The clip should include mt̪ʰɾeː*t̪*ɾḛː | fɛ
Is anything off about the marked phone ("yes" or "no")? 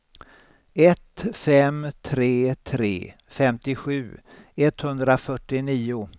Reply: yes